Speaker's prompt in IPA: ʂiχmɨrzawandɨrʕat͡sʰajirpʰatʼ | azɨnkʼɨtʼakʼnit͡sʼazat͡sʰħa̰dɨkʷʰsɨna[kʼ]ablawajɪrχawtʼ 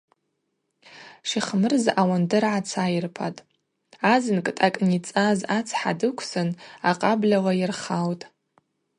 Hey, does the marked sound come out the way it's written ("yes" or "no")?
no